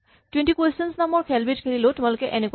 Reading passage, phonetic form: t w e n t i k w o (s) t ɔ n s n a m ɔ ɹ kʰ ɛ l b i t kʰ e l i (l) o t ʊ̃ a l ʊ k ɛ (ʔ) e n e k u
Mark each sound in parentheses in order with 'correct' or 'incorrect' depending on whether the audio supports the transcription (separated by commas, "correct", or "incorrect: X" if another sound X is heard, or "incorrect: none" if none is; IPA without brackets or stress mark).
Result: correct, correct, correct